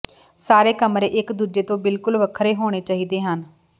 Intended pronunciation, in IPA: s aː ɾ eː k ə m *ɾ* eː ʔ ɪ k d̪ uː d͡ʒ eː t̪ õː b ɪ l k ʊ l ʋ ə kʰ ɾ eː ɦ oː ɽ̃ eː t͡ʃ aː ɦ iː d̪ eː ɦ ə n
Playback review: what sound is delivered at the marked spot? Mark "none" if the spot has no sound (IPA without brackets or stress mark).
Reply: ɾ